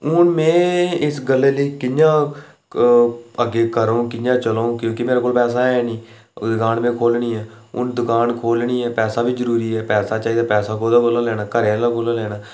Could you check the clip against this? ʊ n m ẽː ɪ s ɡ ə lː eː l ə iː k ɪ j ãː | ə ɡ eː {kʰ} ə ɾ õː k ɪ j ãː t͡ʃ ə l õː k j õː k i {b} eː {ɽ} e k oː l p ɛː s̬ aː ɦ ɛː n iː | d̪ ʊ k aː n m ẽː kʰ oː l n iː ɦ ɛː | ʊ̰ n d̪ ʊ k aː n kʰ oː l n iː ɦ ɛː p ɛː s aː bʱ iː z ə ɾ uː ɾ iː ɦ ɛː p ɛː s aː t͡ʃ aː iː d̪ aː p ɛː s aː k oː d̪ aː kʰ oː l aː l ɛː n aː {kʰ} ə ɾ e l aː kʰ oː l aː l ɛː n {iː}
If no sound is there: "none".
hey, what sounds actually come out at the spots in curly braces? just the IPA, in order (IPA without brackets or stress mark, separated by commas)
k, m, ɾ, k, aː